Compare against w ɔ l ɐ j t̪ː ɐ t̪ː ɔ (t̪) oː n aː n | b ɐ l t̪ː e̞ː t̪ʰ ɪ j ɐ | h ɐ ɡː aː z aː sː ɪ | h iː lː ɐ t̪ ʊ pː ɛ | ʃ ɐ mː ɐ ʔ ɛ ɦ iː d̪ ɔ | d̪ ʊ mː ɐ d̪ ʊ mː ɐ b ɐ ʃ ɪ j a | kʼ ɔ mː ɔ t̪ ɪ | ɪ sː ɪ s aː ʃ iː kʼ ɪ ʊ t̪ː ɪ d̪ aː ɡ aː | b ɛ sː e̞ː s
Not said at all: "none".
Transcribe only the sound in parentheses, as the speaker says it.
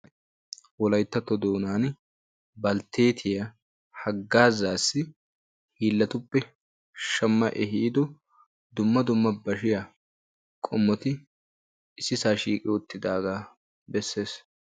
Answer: d̪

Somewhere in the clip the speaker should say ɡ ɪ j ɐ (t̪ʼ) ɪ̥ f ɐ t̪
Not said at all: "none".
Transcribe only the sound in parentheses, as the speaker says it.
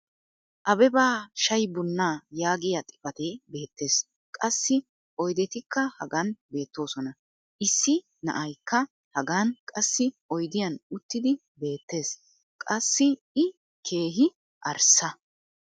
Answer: t̪ʼ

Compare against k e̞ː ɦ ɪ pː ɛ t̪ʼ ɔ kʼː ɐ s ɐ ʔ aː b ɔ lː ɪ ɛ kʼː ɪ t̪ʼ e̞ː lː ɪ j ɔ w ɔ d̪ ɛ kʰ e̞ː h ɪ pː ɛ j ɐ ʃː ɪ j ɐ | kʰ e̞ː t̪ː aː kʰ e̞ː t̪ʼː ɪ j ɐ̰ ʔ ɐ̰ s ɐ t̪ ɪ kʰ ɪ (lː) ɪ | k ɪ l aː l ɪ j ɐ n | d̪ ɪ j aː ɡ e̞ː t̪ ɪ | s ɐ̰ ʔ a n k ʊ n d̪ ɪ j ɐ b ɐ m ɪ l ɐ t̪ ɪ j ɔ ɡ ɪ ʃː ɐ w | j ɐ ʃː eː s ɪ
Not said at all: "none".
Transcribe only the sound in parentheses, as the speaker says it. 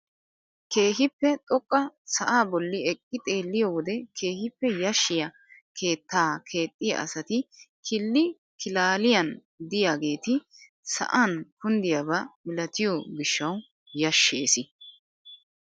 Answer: lː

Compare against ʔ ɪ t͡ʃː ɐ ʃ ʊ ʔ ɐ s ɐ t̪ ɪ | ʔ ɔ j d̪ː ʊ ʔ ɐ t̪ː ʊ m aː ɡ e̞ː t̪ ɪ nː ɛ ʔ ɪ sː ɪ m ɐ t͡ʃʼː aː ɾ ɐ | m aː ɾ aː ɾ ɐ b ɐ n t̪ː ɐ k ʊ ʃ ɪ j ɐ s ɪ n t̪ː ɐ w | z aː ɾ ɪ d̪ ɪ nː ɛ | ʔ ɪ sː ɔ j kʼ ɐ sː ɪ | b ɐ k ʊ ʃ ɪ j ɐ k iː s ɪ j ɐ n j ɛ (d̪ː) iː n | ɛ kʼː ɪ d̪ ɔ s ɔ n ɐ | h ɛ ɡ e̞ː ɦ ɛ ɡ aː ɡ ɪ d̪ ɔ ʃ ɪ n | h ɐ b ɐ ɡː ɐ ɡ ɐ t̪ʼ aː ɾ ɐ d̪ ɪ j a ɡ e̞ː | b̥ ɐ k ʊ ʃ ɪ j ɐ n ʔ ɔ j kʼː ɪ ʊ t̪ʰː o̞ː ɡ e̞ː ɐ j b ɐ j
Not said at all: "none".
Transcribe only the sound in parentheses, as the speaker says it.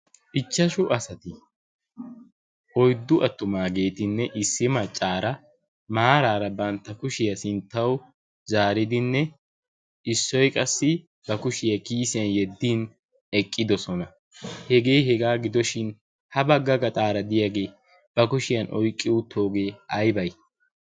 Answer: d̪ː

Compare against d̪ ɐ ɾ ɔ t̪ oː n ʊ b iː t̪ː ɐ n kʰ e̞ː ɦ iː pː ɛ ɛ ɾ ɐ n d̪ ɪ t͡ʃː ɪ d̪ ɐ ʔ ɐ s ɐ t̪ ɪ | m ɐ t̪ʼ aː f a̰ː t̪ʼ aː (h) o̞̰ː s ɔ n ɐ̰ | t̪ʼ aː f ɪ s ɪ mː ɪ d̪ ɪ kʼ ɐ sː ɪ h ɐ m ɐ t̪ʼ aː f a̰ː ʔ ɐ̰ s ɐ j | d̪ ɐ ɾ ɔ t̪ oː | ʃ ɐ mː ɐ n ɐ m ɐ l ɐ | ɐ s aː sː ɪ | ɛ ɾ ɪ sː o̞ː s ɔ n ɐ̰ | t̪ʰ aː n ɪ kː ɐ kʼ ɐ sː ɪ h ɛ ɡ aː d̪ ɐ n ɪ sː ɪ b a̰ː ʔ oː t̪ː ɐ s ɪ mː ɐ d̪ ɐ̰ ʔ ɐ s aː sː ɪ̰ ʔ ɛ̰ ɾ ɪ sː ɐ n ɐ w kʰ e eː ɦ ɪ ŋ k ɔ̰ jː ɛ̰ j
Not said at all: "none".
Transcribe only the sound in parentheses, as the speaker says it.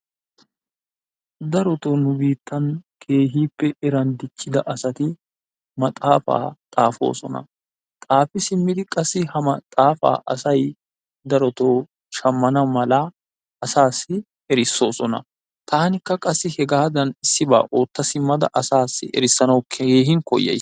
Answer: f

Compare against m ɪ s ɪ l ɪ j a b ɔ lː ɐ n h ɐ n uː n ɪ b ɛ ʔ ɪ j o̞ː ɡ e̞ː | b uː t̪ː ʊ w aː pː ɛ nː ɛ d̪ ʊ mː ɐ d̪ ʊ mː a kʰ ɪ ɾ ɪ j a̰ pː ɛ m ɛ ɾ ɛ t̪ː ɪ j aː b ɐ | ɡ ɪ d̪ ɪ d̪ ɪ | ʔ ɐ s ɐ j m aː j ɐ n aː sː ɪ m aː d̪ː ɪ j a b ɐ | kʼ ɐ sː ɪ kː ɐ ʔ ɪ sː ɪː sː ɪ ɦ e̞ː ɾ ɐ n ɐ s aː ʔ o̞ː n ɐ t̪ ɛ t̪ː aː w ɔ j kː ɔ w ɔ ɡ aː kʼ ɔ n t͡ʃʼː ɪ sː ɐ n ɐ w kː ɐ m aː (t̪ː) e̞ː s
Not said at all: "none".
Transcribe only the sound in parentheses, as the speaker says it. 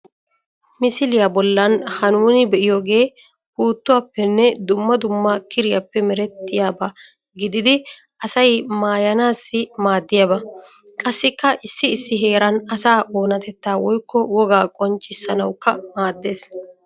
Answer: d̪ː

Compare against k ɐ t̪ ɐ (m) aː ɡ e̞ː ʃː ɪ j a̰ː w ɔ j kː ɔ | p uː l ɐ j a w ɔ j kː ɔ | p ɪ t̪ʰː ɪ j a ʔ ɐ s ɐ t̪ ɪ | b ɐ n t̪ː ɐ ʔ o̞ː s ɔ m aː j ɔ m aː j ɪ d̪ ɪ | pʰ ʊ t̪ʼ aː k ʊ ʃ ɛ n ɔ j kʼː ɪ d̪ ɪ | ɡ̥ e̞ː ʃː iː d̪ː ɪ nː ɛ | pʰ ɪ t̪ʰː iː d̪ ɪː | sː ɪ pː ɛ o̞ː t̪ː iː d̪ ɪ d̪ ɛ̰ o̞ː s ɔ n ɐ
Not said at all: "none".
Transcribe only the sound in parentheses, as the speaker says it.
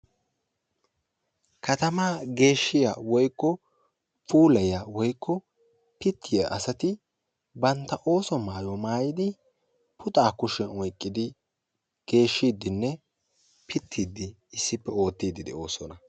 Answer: m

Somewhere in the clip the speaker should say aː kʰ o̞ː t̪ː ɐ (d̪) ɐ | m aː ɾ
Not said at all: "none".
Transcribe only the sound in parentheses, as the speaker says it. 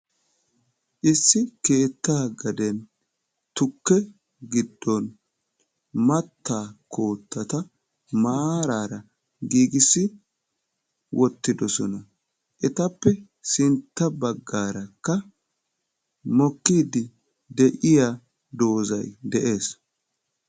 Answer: t̪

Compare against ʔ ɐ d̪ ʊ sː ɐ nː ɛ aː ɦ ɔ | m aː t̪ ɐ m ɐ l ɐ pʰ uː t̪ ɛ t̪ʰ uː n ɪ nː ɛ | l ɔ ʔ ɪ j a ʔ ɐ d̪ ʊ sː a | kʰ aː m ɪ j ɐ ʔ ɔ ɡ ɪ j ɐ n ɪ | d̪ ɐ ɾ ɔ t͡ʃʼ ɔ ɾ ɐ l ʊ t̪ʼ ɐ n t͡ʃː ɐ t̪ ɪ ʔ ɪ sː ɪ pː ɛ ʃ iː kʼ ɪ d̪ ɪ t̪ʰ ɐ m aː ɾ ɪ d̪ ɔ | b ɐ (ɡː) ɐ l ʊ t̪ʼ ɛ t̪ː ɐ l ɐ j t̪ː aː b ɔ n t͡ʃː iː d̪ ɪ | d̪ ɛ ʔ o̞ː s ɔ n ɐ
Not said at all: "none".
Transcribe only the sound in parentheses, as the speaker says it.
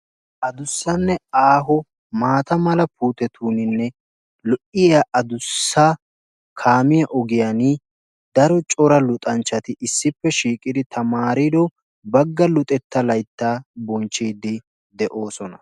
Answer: ɡː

